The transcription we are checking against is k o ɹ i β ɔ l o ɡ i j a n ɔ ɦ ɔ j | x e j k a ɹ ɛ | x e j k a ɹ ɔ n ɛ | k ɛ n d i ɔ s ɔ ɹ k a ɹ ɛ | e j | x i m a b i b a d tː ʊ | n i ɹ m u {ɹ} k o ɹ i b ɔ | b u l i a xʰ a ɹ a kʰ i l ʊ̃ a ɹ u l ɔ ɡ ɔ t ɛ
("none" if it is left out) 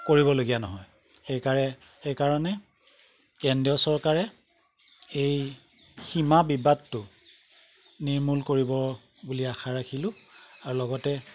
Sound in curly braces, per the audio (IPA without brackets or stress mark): l